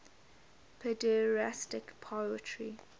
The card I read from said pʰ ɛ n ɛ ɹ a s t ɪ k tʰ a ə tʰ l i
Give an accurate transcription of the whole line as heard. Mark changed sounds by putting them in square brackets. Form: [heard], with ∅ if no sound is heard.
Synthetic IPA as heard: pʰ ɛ [d] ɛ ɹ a s t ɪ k [pʰ] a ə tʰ [ɹ] i